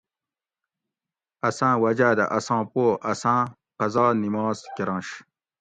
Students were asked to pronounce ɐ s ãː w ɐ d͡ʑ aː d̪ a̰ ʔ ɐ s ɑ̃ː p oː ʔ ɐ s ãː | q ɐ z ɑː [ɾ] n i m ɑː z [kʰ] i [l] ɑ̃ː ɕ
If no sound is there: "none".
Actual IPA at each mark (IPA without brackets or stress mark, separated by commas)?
none, k, ɾ